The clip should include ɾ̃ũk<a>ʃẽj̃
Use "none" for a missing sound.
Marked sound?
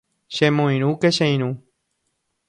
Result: e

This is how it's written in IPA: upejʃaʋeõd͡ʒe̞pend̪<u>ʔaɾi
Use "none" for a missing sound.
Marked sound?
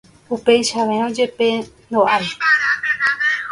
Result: o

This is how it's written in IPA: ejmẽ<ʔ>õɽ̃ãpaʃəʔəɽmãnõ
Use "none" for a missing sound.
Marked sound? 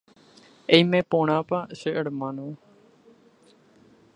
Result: p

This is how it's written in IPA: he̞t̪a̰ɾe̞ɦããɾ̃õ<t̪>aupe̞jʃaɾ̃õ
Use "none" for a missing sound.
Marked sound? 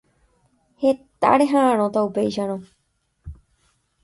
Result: t̪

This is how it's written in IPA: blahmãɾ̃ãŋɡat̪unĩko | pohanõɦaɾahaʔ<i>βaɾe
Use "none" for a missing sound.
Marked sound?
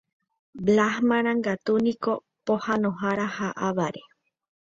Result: a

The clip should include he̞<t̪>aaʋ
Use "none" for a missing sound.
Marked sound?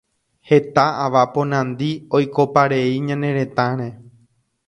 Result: t̪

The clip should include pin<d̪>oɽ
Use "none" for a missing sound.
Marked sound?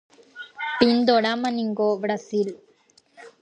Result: d̪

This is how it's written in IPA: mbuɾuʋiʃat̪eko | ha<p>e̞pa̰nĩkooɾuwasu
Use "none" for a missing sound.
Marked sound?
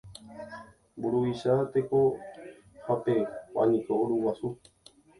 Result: p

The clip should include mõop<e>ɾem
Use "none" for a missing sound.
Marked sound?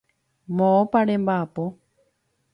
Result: a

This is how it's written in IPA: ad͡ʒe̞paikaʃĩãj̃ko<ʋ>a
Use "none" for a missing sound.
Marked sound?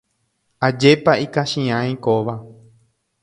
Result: ʋ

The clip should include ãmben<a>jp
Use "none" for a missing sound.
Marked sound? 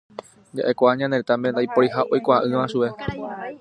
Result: a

